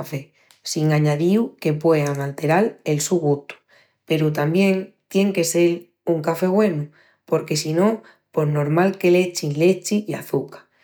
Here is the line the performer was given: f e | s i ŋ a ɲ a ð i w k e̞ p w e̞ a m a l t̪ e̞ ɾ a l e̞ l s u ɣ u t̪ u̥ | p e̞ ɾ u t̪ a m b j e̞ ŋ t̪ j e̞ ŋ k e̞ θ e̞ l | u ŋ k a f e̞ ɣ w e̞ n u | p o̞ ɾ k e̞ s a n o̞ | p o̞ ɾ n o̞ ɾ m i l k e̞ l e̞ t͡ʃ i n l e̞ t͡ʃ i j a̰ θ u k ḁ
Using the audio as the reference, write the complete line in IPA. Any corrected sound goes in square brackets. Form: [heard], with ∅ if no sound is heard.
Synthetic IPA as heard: f e | s i ŋ a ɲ a ð i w k e̞ p w e̞ a [ŋ] a l t̪ e̞ ɾ a l e̞ l s u ɣ u t̪ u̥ | p e̞ ɾ u t̪ a m b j e̞ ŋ t̪ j e̞ ŋ k e̞ [s] e̞ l | u ŋ k a f e̞ ɣ w e̞ n u | p o̞ ɾ k e̞ s [i] n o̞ | p o̞ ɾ n o̞ ɾ m [a] l k e̞ l e̞ t͡ʃ i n l e̞ t͡ʃ i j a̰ θ u k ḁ